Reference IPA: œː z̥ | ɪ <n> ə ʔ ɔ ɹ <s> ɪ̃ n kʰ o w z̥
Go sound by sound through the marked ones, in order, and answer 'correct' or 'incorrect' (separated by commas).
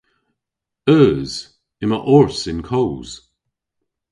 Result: incorrect, correct